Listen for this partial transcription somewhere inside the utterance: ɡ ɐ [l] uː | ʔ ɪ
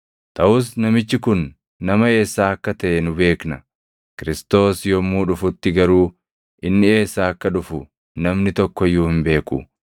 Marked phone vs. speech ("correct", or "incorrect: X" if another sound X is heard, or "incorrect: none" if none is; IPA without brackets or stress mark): incorrect: ɾ